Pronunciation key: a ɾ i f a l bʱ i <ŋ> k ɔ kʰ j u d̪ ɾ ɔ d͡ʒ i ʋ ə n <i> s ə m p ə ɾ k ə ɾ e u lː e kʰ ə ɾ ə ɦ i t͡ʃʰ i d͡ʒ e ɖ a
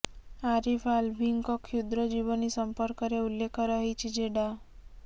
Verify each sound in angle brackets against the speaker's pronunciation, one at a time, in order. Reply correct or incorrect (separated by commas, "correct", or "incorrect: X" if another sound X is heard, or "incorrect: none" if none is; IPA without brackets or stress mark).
correct, correct